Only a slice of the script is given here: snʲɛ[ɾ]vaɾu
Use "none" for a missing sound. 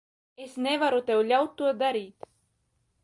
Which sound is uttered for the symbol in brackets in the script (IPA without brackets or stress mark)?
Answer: none